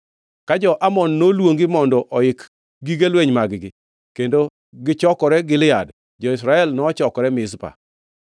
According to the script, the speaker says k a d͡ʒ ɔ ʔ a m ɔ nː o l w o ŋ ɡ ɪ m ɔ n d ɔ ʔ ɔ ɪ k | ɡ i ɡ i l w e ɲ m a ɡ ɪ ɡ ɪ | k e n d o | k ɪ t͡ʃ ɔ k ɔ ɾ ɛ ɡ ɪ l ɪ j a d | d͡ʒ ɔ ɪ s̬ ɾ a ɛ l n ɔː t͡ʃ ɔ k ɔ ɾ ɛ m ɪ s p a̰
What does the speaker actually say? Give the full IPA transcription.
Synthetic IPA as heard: k a d͡ʒ ɔ ʔ a m ɔ nː o l w o ŋ ɡ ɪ m ɔ n d ɔ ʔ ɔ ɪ k | ɡ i ɡ e l w e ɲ m a ɡ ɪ ɡ ɪ | k e n d o | ɡ ɪ t͡ʃ ɔ k ɔ ɾ ɛ ɡ ɪ l ɪ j a d | d͡ʒ ɔ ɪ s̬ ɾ a ɛ l n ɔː t͡ʃ ɔ k ɔ ɾ ɛ m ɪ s p a̰

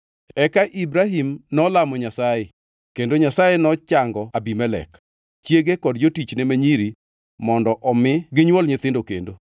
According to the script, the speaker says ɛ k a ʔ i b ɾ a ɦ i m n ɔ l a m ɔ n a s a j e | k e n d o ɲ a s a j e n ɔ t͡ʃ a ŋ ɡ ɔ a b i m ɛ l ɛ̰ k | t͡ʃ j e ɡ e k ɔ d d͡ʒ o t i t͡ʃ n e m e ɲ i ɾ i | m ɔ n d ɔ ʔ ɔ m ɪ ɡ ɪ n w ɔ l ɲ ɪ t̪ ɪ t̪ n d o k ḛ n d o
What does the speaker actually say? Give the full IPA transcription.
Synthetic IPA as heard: ɛ k a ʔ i b ɾ a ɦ i m n ɔ l a m ɔ ɲ a s a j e | k e n d o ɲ a s a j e n ɔ t͡ʃ a ŋ ɡ ɔ a b i m ɛ l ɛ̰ k | t͡ʃ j e ɡ e k ɔ d d͡ʒ o t i t͡ʃ n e m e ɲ i ɾ i | m ɔ n d ɔ ʔ ɔ m ɪ ɡ ɪ ɲ w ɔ l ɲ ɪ t̪ ɪ n d o k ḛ n d o

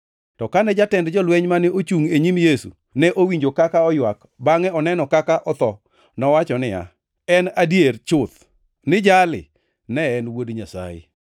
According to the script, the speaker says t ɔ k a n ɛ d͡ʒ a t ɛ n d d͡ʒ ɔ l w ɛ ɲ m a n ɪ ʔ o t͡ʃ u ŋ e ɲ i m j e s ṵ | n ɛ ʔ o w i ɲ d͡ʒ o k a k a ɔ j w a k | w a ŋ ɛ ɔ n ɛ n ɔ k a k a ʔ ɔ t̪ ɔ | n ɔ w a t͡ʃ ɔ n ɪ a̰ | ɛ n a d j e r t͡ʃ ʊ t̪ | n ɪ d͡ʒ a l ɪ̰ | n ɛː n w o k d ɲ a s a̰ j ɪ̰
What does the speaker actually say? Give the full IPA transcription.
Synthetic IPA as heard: t ɔ k a n ɛ d͡ʒ a t ɛ n d d͡ʒ ɔ l w ɛ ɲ m a n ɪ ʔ o t͡ʃ u ŋ e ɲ i m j e s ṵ | n ɛ ʔ o w i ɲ d͡ʒ o k a k a ɔ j w a k | b a ŋ ɛ ɔ n ɛ n ɔ k a k a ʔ ɔ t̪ ɔ | n ɔ w a t͡ʃ ɔ n ɪ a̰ | ɛ n a d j e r t͡ʃ ʊ t̪ | n ɪ d͡ʒ a l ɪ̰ | n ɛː n w o d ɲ a s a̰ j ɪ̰

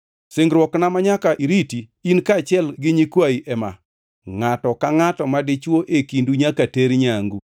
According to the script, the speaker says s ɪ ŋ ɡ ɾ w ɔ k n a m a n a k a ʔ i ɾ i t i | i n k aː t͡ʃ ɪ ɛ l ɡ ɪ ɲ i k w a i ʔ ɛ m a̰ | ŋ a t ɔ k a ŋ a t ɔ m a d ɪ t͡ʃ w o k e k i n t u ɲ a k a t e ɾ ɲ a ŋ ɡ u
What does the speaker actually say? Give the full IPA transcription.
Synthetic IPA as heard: s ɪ ŋ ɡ ɾ w ɔ k n a m a ɲ a k a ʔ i ɾ i t i | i n k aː t͡ʃ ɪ ɛ l ɡ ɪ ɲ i k w a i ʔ ɛ m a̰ | ŋ a t ɔ k a ŋ a t ɔ m a d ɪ t͡ʃ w o ʔ e k i n d u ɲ a k a t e ɾ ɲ a ŋ ɡ u

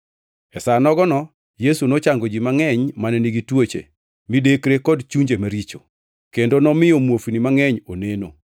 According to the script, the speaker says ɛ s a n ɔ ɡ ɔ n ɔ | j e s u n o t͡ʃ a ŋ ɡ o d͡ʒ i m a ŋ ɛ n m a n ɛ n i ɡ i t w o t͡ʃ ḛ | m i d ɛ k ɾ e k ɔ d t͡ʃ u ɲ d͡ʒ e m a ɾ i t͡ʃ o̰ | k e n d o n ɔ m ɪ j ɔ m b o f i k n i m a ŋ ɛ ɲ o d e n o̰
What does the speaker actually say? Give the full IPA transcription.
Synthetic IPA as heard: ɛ s a n ɔ ɡ ɔ n ɔ | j e s u n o t͡ʃ a ŋ ɡ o d͡ʒ i m a ŋ ɛ ɲ m a n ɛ n i ɡ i t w o t͡ʃ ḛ | m i d e k ɾ e k ɔ d t͡ʃ u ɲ d͡ʒ e m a ɾ i t͡ʃ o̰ | k e n d o n ɔ m ɪ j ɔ m w o f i n i m a ŋ ɛ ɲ o n e n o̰

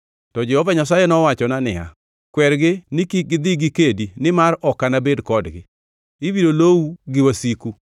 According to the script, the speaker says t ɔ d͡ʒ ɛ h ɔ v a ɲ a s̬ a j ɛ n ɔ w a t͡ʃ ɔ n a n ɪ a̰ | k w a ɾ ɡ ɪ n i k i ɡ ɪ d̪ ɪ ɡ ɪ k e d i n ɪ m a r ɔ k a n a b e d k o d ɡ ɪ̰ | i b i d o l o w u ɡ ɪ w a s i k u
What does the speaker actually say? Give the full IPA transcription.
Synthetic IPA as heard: t ɔ d͡ʒ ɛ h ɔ v a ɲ a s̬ a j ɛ n ɔ w a t͡ʃ ɔ n a n ɪ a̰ | k w ɛ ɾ ɡ ɪ n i k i ɡ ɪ d̪ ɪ ɡ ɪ k e d i n ɪ m a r ɔ k a n a b e d k ɔ d ɡ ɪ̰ | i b i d o l o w u ɡ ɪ w a s i k u

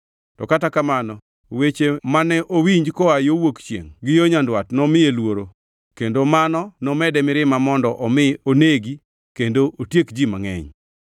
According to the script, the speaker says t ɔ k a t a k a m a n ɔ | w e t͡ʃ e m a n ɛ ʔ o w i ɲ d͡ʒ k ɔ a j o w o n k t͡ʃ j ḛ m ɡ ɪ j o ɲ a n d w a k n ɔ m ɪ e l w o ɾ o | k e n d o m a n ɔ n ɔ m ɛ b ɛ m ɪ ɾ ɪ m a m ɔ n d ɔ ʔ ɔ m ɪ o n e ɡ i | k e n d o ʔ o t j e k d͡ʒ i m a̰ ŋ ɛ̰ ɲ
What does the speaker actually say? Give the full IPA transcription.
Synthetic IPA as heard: t ɔ k a t a k a m a n ɔ | w e t͡ʃ e m a n ɛ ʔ o w i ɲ d͡ʒ k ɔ a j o w o k t͡ʃ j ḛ ŋ ɡ ɪ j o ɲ a n d w a t n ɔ m ɪ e l w o ɾ o | k e n d o m a n ɔ n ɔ m ɛ d ɛ m ɪ ɾ ɪ m a m ɔ n d ɔ ʔ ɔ m ɪ o n e ɡ i | k e n d o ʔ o t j e k d͡ʒ i m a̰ ŋ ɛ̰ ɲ

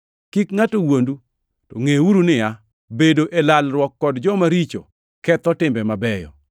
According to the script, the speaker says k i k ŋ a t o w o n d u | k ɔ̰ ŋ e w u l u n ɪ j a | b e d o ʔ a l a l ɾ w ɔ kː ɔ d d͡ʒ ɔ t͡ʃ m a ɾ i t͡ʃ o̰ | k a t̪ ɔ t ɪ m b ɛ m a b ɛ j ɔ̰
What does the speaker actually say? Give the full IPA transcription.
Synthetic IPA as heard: k i k ŋ a t o w o n d u | t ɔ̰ ŋ e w u ɾ u n ɪ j a | b e d o ʔ e l a l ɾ w ɔ kː ɔ d d͡ʒ ɔ m a ɾ i t͡ʃ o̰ | k ɛ t̪ ɔ t ɪ m b ɛ m a b ɛ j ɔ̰

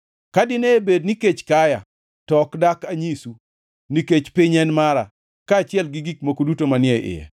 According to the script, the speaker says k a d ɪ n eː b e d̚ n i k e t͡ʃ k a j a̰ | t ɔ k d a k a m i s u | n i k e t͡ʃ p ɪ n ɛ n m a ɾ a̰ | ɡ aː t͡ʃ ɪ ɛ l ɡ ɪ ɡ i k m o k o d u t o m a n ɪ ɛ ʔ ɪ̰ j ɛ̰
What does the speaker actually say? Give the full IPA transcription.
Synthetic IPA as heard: k a d ɪ n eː b e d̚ n i k e t͡ʃ k a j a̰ | t ɔ k d a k a ɲ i s u | n i k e t͡ʃ p ɪ ɲ ɛ n m a ɾ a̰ | k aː t͡ʃ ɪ ɛ l ɡ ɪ ɡ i k m o k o d u t o m a n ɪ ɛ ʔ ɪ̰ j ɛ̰

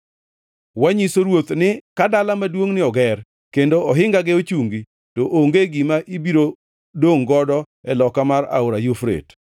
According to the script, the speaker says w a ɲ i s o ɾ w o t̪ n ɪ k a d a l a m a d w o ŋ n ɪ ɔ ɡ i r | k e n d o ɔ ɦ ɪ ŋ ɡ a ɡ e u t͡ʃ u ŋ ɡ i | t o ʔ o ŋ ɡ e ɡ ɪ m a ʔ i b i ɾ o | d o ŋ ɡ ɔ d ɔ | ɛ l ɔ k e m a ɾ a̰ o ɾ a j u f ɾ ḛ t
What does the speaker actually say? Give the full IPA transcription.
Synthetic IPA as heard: w a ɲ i s o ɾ w o t̪ n ɪ k a d a l a m a d w o ŋ n ɪ ɔ ɡ ɛ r | k e n d o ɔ ɦ ɪ ŋ ɡ a ɡ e o t͡ʃ u ŋ ɡ i | t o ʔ o ŋ ɡ e ɡ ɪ m a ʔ i b i ɾ o | d o ŋ ɡ ɔ d ɔ | ɛ l ɔ k a m a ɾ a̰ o ɾ a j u f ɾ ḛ t

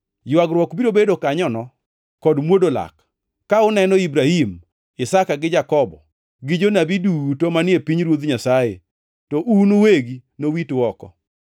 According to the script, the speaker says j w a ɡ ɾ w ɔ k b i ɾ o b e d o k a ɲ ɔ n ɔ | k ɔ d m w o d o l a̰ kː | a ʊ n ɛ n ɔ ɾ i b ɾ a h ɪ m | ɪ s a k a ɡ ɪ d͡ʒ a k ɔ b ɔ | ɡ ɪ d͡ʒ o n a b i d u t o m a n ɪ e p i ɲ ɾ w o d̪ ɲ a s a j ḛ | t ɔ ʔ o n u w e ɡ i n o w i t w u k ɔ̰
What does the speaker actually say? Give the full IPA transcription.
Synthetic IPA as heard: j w a ɡ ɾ w ɔ k b i ɾ o b e d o k a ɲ ɔ n ɔ | k ɔ d m w o d o l a̰ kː | a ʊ n ɛ n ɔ i b ɾ a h i m | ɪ s a k a ɡ ɪ d͡ʒ a k ɔ b ɔ | ɡ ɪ d͡ʒ o n a b i d u t o m a n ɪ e p i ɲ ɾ w o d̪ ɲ a s a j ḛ | t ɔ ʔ u n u w e ɡ i n o w i t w ɔ k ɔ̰

